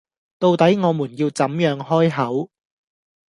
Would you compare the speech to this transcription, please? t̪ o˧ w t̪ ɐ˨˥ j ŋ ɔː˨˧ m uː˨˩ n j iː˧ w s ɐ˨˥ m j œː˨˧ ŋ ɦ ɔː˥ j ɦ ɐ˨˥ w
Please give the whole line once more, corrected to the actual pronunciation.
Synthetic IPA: t̪ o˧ w t̪ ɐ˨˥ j ŋ ɔː˨˧ m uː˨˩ n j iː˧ w t͡s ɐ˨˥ m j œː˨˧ ŋ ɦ ɔː˥ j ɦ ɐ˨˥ w